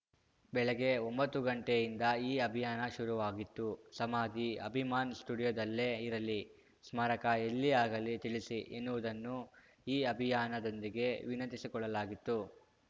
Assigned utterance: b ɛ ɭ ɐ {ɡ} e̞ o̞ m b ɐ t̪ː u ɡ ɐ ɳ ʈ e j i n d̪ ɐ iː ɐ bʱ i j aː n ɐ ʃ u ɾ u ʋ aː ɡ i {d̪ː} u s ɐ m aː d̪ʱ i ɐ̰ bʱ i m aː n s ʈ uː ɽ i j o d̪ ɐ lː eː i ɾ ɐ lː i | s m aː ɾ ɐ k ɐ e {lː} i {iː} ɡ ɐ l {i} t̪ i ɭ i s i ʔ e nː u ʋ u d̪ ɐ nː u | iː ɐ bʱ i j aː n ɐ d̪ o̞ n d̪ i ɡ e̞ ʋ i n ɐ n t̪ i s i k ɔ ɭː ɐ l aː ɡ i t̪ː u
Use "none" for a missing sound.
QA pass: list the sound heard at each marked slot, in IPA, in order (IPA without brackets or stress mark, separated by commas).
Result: ɡ, t̪ː, lː, aː, i